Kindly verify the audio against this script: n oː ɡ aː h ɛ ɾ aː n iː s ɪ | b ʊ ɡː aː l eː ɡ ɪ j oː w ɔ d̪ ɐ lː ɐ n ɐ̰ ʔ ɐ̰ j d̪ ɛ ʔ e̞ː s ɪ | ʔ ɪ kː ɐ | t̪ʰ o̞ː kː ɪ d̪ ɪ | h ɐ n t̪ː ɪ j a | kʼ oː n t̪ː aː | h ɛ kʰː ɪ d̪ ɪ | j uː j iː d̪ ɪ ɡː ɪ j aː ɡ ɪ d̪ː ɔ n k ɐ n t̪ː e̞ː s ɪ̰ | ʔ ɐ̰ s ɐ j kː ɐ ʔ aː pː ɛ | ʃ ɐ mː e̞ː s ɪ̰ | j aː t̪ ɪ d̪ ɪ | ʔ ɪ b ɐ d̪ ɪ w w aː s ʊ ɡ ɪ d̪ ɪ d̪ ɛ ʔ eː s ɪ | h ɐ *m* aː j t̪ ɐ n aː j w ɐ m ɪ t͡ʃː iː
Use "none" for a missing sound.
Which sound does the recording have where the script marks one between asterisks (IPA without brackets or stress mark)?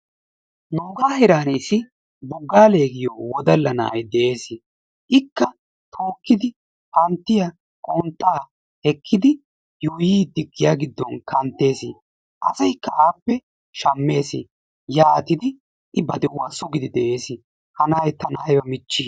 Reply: n